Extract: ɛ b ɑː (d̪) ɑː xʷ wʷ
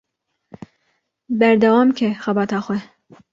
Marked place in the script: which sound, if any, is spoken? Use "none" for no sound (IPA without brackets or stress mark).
t̪